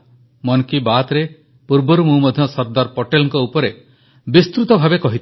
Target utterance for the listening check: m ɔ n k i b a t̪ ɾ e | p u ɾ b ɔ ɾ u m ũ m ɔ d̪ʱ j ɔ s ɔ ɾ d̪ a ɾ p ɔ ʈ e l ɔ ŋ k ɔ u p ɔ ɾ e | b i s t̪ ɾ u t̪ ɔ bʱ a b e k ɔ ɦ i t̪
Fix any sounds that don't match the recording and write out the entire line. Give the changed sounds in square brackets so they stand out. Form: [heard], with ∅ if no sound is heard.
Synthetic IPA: m ɔ n k i b a t̪ ɾ e | p u ɾ b ɔ ɾ u m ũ m ɔ d̪ʱ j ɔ s ɔ ɾ d̪ a ɾ p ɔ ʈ e l ɔ ŋ k ɔ u p ɔ ɾ e | b i s t̪ ɾ u t̪ ɔ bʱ a b e k ɔ ɦ i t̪